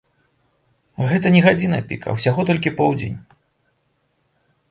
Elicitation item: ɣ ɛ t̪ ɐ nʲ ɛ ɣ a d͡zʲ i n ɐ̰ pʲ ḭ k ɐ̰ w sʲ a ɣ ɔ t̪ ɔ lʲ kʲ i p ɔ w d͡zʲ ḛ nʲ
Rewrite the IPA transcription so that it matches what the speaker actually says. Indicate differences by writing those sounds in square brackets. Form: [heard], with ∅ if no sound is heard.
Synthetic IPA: ɣ ɛ t̪ ɐ nʲ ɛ ɣ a d͡zʲ i n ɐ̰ pʲ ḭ k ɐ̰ w sʲ a ɣ ɔ t̪ ɔ lʲ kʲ i p ɔ w d͡zʲ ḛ nʲ